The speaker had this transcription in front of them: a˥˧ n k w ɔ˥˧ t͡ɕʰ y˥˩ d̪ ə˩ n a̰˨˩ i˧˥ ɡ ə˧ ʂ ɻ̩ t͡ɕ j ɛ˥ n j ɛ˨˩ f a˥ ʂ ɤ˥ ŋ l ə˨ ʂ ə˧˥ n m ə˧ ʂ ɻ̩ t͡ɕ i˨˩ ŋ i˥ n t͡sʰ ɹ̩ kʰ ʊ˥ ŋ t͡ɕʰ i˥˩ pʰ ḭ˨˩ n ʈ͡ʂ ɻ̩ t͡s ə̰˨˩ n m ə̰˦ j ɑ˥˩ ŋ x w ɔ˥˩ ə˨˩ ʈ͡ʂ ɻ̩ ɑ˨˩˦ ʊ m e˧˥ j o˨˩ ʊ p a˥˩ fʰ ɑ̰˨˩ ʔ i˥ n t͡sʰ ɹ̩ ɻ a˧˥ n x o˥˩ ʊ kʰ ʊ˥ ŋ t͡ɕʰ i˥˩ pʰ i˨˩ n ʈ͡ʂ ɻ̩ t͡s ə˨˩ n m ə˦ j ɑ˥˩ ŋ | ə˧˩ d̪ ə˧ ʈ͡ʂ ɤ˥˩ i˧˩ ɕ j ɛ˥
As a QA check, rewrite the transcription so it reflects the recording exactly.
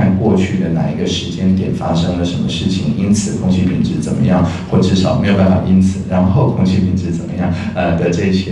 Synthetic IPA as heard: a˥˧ n k w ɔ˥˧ t͡ɕʰ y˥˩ d̪ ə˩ n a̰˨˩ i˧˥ ɡ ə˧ ʂ ɻ̩ t͡ɕ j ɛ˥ n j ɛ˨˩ f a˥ ʂ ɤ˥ ŋ l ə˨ ʂ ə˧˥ n m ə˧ ʂ ɻ̩ t͡ɕʰ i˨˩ ŋ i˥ n t͡sʰ ɹ̩ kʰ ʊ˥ ŋ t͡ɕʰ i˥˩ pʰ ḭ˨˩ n ʈ͡ʂ ɻ̩ t͡s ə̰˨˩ n m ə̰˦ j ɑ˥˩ ŋ x w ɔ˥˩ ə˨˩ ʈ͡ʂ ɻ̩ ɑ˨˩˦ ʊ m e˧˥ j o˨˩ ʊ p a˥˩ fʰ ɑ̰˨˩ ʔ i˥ n t͡sʰ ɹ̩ ɻ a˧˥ n x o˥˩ ʊ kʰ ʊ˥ ŋ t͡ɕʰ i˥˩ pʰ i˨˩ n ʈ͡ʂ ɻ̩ t͡s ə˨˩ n m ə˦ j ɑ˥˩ ŋ | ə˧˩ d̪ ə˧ ʈ͡ʂ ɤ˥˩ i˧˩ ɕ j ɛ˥

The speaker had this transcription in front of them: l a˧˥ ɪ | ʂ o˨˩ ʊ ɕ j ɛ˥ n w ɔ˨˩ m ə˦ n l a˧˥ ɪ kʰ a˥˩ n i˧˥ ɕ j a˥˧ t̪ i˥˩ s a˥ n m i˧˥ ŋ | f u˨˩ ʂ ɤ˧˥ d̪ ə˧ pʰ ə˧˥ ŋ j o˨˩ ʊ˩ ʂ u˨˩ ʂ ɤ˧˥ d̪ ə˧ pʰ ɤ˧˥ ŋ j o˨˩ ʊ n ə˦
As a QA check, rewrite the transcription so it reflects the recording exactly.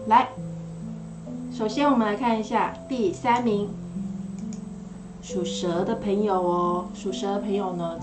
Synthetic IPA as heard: l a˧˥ ɪ | ʂ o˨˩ ʊ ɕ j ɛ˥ n w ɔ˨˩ m ə˦ n l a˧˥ ɪ kʰ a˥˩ n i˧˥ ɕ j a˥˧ t̪ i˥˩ s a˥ n m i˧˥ ŋ | ʂ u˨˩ ʂ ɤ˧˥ d̪ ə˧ pʰ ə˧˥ ŋ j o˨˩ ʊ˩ ʂ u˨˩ ʂ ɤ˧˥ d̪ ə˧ pʰ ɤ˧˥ ŋ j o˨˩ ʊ n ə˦

